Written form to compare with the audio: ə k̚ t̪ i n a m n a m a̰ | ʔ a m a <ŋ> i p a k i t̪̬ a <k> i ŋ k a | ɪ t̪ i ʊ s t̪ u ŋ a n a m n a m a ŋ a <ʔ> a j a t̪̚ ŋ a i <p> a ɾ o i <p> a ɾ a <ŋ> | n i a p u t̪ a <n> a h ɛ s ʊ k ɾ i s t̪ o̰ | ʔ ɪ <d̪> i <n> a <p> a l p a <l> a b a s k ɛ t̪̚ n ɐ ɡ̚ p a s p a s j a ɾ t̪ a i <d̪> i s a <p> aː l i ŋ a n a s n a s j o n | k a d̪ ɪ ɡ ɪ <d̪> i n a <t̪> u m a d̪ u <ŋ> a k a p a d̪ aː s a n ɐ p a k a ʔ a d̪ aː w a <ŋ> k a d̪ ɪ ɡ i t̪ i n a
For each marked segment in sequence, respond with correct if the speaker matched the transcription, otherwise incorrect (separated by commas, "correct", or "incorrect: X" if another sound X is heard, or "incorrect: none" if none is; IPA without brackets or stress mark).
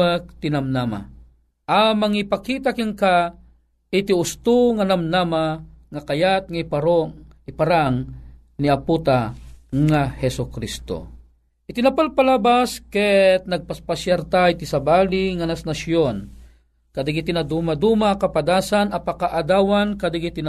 correct, correct, incorrect: k, correct, correct, correct, incorrect: ŋ, incorrect: t̪, correct, correct, correct, incorrect: t̪, incorrect: b, incorrect: t̪, incorrect: d̪, incorrect: m, incorrect: n